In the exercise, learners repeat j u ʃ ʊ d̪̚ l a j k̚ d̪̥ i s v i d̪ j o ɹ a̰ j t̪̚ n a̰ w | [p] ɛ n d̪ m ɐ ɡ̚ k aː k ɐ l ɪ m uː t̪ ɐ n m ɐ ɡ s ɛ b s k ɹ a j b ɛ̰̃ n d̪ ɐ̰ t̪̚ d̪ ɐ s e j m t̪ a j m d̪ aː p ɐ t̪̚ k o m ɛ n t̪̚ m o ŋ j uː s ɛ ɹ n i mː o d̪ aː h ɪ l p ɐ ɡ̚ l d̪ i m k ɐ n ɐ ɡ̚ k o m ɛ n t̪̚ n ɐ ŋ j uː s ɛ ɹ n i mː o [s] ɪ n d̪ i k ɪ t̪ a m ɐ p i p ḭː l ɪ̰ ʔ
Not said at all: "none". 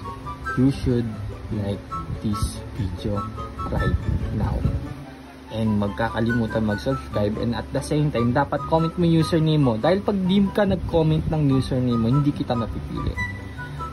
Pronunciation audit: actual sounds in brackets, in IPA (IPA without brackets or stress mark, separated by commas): ʔ, h